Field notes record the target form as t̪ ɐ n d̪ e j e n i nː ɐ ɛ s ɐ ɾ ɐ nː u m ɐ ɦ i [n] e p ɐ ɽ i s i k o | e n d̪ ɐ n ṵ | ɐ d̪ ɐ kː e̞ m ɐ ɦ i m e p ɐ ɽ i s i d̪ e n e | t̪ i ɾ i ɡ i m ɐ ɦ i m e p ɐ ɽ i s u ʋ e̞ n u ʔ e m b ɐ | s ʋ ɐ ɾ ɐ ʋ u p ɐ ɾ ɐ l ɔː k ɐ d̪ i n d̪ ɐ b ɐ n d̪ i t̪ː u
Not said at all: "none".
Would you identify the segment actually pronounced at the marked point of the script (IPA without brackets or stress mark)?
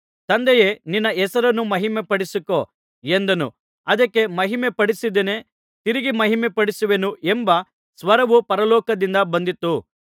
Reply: m